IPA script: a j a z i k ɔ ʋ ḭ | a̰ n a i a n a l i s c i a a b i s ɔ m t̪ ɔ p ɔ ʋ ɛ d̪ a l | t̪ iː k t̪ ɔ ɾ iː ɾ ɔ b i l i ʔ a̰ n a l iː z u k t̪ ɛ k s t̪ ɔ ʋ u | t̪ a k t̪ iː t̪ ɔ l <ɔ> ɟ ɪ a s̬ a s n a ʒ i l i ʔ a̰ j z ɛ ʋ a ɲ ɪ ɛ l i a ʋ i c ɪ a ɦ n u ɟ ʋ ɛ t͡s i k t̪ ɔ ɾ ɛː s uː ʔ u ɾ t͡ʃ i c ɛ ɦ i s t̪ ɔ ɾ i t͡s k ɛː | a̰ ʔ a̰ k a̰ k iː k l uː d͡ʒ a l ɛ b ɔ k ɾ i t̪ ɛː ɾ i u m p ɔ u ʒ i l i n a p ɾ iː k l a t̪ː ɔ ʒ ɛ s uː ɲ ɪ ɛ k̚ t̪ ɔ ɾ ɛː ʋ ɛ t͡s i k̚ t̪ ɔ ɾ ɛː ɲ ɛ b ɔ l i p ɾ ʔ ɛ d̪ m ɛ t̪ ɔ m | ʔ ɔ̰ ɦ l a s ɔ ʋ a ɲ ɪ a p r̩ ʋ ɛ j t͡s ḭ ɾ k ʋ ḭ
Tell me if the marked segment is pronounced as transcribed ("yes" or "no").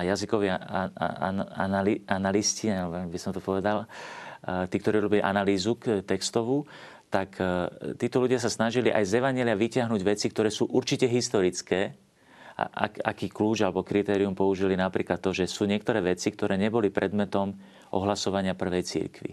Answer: no